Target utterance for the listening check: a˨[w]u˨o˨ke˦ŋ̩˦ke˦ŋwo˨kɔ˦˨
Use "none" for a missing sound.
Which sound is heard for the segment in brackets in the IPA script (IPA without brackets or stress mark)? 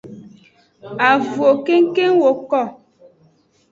v